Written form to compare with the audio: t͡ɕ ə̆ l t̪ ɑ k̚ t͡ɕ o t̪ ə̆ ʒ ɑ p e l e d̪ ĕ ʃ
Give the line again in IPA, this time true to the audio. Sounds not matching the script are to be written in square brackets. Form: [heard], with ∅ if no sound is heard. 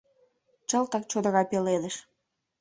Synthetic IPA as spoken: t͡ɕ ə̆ l t̪ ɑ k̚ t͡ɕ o [d̪] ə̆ [ɣ] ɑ p e l e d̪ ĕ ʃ